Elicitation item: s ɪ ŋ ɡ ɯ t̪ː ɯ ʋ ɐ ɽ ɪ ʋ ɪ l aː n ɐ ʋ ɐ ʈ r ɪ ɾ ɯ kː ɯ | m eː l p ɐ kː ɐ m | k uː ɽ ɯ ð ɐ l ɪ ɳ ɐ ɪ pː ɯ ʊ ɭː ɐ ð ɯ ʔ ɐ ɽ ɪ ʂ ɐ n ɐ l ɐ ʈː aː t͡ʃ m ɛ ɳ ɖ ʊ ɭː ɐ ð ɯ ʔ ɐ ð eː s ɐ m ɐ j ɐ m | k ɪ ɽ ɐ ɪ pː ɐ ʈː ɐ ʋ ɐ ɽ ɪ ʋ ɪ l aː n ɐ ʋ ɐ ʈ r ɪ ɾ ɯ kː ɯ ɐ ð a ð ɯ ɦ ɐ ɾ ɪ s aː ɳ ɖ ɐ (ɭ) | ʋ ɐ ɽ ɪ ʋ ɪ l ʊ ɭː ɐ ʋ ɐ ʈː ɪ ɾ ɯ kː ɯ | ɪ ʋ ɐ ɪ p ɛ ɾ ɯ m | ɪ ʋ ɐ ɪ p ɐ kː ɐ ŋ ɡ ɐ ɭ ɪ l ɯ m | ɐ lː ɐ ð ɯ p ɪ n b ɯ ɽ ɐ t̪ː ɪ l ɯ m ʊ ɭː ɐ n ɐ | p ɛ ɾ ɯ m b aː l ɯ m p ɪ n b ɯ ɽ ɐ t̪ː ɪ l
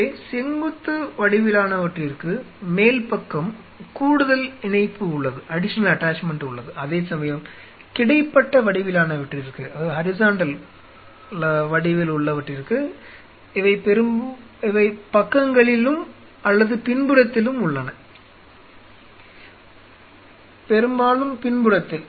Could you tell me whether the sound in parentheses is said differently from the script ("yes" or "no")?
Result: yes